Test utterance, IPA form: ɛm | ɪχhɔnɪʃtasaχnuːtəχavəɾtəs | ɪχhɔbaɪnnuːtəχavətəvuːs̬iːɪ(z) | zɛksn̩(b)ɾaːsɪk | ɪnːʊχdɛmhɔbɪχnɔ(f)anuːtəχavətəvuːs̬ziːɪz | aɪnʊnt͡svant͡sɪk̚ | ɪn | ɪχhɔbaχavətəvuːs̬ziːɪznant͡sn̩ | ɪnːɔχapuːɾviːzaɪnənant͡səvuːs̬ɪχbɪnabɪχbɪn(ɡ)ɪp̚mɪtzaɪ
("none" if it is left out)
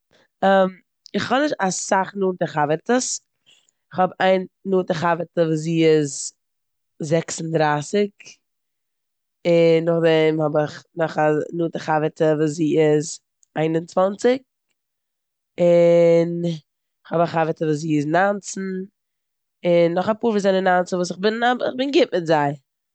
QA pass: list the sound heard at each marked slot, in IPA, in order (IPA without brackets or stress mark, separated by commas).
z, d, χ, ɡ